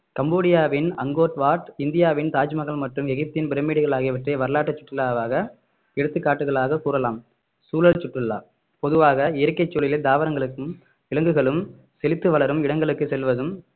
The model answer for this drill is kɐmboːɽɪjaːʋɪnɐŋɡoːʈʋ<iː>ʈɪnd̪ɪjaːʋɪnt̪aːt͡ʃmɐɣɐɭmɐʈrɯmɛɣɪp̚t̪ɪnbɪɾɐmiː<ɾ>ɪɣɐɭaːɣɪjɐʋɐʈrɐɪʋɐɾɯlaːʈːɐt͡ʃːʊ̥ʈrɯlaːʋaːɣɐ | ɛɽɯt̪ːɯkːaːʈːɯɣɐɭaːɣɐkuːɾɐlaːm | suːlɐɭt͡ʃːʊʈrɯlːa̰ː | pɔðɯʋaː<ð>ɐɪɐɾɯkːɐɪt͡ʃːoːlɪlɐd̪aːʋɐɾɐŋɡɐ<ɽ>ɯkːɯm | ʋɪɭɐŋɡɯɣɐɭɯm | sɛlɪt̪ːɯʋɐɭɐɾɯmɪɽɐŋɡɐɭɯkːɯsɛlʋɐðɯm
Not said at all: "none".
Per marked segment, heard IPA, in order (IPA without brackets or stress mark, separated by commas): aː, ɽ, ɣ, ɭ